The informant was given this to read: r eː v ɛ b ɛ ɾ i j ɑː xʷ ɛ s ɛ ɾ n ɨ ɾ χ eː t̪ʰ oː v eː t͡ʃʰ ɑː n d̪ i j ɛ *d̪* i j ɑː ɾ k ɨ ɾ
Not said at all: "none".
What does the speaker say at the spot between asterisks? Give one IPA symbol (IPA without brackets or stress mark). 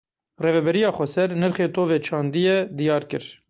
d̪